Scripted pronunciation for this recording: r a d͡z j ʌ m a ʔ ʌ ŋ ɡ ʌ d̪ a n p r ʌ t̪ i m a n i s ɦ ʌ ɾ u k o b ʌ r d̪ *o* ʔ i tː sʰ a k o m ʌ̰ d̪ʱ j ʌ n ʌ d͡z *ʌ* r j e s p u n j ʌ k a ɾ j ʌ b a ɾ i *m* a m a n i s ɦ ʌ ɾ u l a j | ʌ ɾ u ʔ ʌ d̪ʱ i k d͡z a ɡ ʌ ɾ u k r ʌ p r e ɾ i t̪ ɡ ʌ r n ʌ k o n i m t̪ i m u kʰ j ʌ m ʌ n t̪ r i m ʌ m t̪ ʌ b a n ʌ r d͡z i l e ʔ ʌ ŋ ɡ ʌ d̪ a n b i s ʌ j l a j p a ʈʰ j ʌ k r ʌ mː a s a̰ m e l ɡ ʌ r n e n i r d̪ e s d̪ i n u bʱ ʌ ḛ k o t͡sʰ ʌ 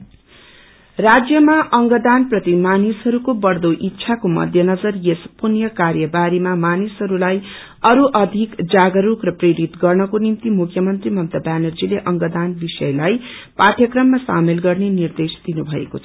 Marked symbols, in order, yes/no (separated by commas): yes, yes, yes